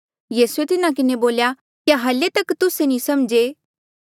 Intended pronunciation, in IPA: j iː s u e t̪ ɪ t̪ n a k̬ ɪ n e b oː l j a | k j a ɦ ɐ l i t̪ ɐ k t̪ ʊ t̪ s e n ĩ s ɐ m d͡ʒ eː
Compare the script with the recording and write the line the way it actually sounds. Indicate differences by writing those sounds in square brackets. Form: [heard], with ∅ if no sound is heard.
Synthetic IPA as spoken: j iː s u e t̪ ɪ [∅] n a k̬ ɪ n e b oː l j a | k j a ɦ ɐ l [e] t̪ ɐ k t̪ ʊ [∅] s e n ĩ s ɐ m d͡ʒ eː